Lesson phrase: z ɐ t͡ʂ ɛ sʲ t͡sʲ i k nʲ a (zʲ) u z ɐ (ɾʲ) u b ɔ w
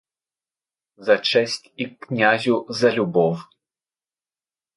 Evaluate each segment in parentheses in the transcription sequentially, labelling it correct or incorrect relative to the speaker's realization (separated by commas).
correct, incorrect